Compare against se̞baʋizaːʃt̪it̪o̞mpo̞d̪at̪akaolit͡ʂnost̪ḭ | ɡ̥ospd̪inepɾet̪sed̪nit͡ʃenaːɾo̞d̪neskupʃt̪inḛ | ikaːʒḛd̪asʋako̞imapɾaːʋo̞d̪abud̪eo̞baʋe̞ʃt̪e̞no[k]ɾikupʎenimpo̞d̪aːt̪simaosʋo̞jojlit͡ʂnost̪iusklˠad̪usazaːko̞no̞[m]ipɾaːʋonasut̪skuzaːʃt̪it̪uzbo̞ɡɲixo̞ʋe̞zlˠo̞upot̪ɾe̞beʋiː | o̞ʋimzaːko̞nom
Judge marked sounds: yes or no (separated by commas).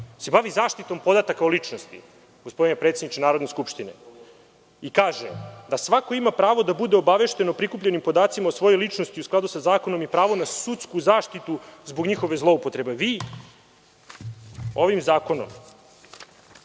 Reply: no, yes